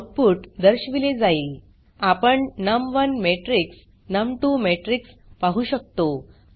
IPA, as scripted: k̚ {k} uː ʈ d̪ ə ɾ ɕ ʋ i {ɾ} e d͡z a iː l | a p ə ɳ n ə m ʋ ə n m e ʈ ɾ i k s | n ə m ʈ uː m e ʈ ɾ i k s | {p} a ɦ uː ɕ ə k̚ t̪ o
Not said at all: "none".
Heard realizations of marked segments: p, l, p

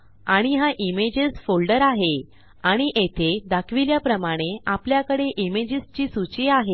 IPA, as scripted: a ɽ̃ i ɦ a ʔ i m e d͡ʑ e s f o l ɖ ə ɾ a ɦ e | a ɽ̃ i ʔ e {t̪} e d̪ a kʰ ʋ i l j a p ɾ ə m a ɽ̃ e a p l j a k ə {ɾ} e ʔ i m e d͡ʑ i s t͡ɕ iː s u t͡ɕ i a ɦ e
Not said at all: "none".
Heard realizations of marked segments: t̪ʰ, ɽ

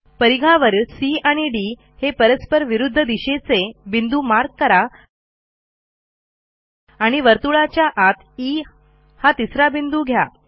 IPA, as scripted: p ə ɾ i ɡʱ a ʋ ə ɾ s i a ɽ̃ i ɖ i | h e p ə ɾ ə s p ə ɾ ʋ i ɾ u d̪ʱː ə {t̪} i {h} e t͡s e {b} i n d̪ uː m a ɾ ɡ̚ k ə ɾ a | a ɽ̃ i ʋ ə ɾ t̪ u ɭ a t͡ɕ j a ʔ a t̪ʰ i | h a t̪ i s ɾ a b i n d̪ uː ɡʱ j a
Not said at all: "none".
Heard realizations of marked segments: d̪, ɕ, b

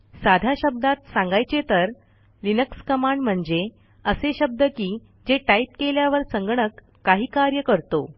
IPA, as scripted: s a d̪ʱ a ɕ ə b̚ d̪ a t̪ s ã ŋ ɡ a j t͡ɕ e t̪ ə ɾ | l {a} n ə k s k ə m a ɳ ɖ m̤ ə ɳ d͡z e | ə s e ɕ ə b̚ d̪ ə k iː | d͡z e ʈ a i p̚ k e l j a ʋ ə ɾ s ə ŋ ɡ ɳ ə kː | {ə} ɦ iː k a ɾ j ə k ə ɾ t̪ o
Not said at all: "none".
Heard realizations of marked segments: i, a

